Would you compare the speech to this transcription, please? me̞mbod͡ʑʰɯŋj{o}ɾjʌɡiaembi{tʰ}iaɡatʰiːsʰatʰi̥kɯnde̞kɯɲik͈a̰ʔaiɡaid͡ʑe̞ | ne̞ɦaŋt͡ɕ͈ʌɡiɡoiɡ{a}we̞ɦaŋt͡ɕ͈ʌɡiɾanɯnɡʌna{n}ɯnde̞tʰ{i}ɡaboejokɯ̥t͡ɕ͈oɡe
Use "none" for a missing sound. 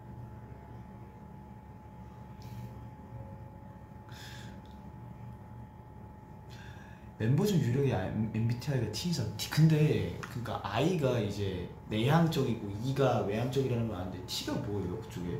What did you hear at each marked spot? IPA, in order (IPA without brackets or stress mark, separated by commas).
u, tʰ, a, n, i